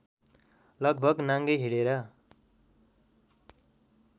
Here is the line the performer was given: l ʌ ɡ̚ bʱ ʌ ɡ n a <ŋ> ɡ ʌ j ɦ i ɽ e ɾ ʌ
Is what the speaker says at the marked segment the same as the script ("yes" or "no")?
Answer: yes